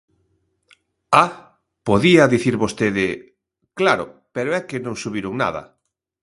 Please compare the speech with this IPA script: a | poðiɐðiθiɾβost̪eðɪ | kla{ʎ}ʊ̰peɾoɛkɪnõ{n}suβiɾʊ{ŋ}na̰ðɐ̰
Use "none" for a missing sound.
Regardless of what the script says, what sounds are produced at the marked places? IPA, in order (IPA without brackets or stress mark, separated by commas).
ɾ, ŋ, ŋ